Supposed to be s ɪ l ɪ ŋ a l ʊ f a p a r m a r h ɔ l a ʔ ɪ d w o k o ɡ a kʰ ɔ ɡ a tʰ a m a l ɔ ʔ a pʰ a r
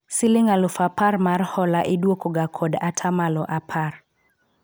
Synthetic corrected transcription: s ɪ l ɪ ŋ a l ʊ f a p a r m a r h ɔ l a ʔ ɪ d w o k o ɡ a kʰ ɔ d a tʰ a m a l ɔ ʔ a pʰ a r